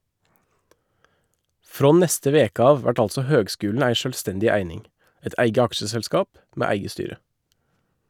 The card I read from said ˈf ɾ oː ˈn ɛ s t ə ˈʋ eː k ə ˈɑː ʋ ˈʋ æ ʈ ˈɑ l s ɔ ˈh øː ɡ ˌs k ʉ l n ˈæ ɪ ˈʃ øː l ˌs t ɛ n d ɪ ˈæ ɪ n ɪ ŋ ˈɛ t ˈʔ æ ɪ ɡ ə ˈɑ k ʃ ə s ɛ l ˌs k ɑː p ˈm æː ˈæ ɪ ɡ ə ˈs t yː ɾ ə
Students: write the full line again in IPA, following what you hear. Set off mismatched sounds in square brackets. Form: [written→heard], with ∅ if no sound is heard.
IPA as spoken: ˈf ɾ oː ˈn ɛ s t ə ˈʋ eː k ə ˈɑː ʋ ˈʋ æ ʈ ˈɑ l s ɔ ˈh øː ɡ ˌs k [ʉ→ʉː] l n ˈæ ɪ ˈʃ øː l ˌs t ɛ n d ɪ ˈæ ɪ n ɪ ŋ ˈɛ t ˈʔ æ ɪ ɡ ə ˈɑ k ʃ ə s ɛ l ˌs k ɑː p ˈm [æː→eː] ˈæ ɪ ɡ ə ˈs t yː ɾ ə